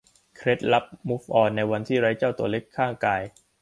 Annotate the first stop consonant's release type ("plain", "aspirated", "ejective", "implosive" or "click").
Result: aspirated